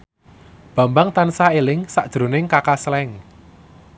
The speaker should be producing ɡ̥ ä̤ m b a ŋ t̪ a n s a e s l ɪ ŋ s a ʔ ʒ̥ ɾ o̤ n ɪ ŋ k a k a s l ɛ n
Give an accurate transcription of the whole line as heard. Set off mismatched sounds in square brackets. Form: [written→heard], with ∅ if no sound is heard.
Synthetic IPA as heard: [ɡ̥→b̥] ä̤ m b a ŋ t̪ a n s a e [s→∅] l ɪ ŋ s a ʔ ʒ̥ ɾ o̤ n ɪ ŋ k a k a s l ɛ [n→ŋ]

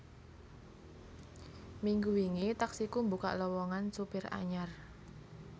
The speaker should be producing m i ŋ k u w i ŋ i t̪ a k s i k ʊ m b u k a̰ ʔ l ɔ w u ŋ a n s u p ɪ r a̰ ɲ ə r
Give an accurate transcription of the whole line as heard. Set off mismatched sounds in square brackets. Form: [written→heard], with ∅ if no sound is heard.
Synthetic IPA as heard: m i ŋ [k→ɡ] u w i ŋ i t̪ a k s i k [ʊ→u] m b u k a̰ ʔ l ɔ w [u→ɔ] ŋ a n s u p ɪ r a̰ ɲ [ə→a] r

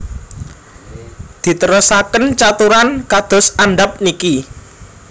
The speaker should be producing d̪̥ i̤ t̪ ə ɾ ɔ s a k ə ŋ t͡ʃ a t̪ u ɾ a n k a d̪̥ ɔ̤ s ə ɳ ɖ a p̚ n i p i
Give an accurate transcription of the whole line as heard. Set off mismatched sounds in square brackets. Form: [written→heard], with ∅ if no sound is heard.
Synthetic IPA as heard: d̪̥ i̤ t̪ ə ɾ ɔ s a k ə [ŋ→n] t͡ʃ a t̪ u ɾ a n k a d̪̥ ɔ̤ s [ə→a] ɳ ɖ a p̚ n i [p→k] i

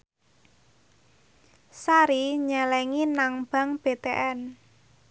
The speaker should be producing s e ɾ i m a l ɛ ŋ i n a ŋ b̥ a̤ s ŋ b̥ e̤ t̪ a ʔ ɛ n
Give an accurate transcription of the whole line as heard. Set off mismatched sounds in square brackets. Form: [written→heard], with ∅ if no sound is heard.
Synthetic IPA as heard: s [e→a] ɾ i [m→ɲ] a l ɛ ŋ i n a ŋ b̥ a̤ [s→∅] ŋ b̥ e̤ t̪ [a→e] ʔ ɛ n

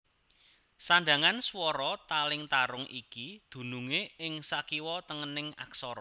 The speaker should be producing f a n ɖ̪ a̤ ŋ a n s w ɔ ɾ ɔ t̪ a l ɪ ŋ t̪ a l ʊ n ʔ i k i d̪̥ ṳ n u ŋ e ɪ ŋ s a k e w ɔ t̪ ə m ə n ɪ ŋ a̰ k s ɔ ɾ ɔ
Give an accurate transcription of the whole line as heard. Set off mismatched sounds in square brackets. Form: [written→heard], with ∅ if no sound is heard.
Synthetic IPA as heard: [f→s] a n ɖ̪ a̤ ŋ a n s w ɔ ɾ ɔ t̪ a l ɪ ŋ t̪ a [l→ɾ] ʊ [n→ŋ] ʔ i k i d̪̥ ṳ n u ŋ e ɪ ŋ s a k [e→i] w ɔ t̪ ə [m→ŋ] ə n ɪ ŋ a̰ k s ɔ ɾ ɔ

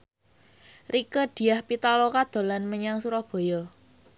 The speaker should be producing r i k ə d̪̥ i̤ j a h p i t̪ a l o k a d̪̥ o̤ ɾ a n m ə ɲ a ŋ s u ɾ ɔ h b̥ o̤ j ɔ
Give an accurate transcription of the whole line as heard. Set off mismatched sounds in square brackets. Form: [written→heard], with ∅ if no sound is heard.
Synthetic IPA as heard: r i k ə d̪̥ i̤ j a h p i t̪ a l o k a d̪̥ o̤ [ɾ→l] a n m ə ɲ a ŋ s u ɾ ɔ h b̥ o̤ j ɔ

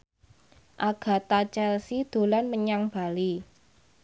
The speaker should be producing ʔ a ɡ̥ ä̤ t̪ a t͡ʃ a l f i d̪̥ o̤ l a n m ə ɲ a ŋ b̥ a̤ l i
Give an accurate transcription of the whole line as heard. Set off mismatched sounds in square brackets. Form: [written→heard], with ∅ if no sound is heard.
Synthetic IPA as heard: ʔ a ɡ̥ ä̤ t̪ a t͡ʃ [a→ɛ] l [f→s] i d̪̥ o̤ l a n m ə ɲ a ŋ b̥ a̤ l i

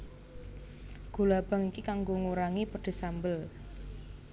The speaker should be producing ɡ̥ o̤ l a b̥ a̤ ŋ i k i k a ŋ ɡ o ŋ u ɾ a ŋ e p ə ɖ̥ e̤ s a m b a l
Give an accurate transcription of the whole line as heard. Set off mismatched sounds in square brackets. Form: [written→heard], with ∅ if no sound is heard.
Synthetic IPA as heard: ɡ̥ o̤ l a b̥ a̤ ŋ i k i k a ŋ ɡ o ŋ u ɾ a ŋ [e→i] p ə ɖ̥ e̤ s a m b [a→ə] l

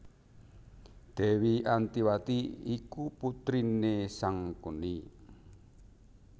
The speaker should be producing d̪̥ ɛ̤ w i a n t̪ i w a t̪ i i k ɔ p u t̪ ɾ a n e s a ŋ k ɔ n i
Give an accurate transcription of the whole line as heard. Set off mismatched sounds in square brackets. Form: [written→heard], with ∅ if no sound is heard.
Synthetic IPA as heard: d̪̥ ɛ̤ w i a n t̪ i w a t̪ i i k [ɔ→u] p u t̪ ɾ [a→i] n e s a ŋ k [ɔ→u] n i

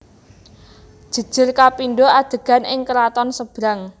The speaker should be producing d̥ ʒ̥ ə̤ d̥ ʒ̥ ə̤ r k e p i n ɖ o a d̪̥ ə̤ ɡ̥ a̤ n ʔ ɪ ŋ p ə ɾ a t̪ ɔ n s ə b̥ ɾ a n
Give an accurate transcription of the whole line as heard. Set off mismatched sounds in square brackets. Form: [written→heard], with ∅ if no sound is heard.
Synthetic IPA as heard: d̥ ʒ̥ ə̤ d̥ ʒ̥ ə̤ r k [e→a] p i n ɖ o a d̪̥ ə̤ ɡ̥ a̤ n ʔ ɪ ŋ [p→k] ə ɾ a t̪ ɔ n s ə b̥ ɾ a [n→ŋ]

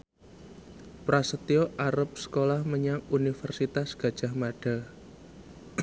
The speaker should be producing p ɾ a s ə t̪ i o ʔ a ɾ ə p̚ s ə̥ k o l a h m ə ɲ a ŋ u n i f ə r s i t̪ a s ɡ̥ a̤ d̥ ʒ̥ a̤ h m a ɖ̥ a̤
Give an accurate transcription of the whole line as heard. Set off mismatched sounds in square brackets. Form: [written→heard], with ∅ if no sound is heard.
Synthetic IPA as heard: p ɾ a s ə t̪ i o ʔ a ɾ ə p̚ s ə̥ k o l a h m ə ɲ a ŋ u n i f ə r s i t̪ a s ɡ̥ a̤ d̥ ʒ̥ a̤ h m a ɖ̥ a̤

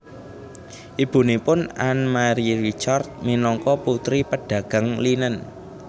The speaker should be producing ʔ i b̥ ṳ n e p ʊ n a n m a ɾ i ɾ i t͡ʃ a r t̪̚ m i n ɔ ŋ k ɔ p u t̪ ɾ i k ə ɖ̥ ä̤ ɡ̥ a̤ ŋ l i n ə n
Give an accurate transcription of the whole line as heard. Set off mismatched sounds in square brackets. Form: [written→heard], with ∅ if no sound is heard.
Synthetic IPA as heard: ʔ i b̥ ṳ n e p ʊ n a n m a ɾ i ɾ i t͡ʃ a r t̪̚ m i n ɔ ŋ k ɔ p u t̪ ɾ i [k→p] ə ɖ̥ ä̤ ɡ̥ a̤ ŋ l i n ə n

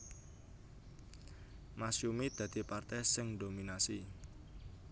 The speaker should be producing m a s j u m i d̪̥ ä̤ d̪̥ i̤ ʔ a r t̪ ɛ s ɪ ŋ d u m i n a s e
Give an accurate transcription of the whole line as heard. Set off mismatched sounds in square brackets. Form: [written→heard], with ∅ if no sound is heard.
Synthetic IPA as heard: m a s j u m i d̪̥ ä̤ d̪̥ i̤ [ʔ→p] a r t̪ ɛ s ɪ ŋ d [u→o] m i n a s [e→i]

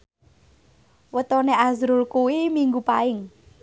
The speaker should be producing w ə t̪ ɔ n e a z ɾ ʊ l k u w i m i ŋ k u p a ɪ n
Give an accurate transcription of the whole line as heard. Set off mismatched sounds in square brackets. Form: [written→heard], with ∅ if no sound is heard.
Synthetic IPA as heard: w ə t̪ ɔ n e a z ɾ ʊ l k u w i m i ŋ [k→ɡ] u p a ɪ [n→ŋ]

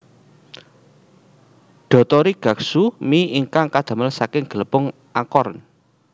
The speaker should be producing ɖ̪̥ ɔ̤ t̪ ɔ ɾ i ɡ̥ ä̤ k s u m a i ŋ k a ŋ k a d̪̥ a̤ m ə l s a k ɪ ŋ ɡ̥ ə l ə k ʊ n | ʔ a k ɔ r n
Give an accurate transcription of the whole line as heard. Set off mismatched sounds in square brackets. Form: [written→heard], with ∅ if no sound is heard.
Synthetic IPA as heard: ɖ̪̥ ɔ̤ t̪ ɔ ɾ i ɡ̥ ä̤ k s u m [a→i] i ŋ k a ŋ k a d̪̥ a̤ m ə l s a k ɪ ŋ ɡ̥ ə l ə [k→p] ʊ [n→ŋ] | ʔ a k ɔ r n

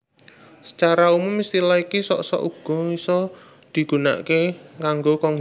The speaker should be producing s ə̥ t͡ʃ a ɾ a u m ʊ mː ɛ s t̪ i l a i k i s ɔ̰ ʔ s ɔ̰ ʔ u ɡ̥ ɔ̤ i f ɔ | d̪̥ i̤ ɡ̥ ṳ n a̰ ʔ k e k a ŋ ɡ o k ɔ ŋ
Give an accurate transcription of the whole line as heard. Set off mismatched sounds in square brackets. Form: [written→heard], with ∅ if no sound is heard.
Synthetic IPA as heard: s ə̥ t͡ʃ a ɾ a u m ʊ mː [ɛ→i] s t̪ i l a i k i s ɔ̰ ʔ s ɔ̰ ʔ u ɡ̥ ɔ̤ i [f→s] ɔ | d̪̥ i̤ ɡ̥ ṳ n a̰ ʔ k e k a ŋ ɡ o k ɔ ŋ

